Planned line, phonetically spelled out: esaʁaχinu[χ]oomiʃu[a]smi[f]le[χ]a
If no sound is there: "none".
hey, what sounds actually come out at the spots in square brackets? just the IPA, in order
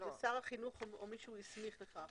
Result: χ, i, χ, χ

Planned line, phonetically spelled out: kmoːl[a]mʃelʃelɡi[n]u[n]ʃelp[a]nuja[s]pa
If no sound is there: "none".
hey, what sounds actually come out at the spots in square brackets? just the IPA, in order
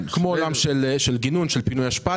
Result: a, n, n, i, ʃ

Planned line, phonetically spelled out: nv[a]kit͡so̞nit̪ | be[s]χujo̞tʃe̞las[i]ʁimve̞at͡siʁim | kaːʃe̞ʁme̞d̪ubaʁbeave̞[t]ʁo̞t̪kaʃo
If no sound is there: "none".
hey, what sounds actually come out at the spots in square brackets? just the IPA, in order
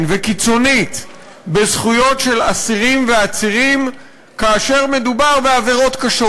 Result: e, z, i, none

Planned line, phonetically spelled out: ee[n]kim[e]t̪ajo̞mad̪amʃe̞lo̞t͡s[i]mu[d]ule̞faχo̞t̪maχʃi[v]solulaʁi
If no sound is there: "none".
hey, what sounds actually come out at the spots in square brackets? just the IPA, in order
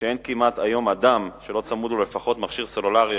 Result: n, a, a, d, ʁ

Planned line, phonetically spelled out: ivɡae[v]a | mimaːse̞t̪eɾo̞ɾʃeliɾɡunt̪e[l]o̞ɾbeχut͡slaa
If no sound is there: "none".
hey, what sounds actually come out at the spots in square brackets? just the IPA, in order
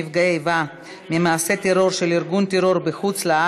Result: v, ɾ

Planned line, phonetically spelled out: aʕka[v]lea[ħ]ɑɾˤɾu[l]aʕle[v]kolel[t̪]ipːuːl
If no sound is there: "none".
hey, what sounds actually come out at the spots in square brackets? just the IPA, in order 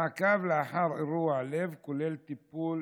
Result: v, ħ, none, v, t̪

